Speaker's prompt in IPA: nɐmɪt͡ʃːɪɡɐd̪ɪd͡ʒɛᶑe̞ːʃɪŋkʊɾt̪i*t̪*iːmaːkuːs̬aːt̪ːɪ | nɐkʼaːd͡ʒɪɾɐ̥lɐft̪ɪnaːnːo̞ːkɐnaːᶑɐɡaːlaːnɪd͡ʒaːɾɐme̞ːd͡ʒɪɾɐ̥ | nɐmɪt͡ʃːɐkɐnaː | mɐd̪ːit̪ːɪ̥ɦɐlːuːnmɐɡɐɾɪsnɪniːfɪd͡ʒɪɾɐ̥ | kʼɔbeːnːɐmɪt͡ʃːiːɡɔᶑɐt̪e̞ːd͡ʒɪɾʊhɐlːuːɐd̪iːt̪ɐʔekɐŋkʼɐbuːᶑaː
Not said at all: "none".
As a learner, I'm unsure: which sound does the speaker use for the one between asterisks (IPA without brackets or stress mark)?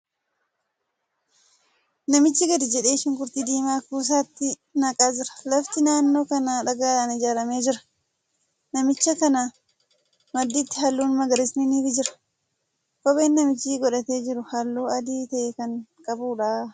d̪